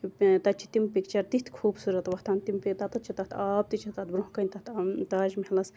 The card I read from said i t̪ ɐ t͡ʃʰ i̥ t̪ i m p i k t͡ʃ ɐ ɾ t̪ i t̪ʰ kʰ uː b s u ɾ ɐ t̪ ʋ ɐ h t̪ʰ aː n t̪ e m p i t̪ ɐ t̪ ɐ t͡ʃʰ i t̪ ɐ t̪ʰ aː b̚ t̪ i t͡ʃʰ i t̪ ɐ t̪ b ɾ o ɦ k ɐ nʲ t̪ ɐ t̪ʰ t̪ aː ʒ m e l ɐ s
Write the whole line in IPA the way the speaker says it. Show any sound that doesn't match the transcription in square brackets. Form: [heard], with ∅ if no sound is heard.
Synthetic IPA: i t̪ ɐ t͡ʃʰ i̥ t̪ i m p i k t͡ʃ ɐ ɾ t̪ i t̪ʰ kʰ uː b s u ɾ ɐ t̪ ʋ ɐ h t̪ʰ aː n t̪ [i] m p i t̪ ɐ t̪ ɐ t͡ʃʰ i t̪ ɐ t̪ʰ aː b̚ t̪ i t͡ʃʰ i t̪ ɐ t̪ b ɾ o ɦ k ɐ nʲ t̪ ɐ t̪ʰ t̪ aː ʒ m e l ɐ s